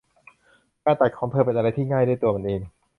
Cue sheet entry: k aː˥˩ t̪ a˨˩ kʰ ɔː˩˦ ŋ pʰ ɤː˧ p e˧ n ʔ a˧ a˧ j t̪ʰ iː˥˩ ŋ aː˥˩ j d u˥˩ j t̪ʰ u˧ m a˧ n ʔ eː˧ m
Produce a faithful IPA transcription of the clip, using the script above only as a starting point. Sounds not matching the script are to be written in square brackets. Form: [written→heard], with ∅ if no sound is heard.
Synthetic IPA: k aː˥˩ t̪ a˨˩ kʰ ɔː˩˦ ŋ pʰ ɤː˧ p e˧ n ʔ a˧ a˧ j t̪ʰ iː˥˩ ŋ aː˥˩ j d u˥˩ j [t̪ʰ→t̪] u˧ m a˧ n ʔ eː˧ [m→ŋ]